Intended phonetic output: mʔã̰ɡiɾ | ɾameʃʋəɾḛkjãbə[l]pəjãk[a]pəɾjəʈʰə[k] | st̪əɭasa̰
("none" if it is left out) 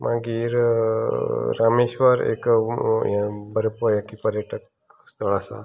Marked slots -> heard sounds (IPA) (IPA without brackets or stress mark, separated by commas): ɾ, i, k